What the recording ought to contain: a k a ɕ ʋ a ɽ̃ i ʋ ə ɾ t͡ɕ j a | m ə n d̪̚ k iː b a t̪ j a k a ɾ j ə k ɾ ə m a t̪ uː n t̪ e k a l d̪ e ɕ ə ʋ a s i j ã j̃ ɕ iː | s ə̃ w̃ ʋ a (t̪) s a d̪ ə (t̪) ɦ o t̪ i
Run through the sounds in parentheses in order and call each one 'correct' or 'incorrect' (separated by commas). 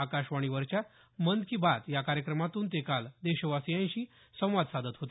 incorrect, correct